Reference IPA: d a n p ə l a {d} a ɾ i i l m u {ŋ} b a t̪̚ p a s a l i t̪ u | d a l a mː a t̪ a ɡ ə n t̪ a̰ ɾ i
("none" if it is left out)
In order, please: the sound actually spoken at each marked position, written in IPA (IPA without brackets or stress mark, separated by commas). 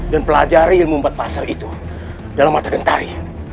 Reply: d͡ʒ, m